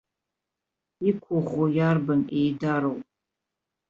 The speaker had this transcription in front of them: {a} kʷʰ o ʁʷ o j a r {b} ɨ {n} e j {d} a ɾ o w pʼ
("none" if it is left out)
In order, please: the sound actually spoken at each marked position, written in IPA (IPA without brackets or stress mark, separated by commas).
i, b, n, d